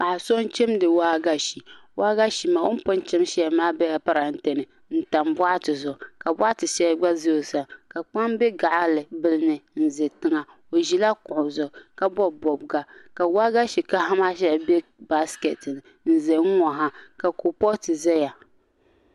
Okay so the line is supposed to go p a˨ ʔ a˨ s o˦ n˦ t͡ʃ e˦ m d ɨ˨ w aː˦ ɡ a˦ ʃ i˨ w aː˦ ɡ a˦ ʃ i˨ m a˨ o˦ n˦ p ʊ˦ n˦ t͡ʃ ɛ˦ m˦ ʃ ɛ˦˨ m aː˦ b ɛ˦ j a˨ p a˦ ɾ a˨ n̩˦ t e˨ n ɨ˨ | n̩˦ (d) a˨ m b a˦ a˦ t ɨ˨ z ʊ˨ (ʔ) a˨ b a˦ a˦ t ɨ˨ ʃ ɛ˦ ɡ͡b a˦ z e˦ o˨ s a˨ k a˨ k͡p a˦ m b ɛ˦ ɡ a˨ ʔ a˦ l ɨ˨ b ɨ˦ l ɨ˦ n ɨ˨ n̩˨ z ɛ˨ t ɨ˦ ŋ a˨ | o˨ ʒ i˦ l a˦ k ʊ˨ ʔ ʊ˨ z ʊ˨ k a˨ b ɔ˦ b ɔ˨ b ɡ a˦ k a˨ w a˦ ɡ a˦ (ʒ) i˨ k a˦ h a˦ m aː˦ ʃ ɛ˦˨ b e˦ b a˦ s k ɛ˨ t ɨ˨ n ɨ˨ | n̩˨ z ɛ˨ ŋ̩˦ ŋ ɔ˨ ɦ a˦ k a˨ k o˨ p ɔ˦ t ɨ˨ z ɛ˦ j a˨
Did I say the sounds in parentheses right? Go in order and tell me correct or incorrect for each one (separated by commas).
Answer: incorrect, incorrect, incorrect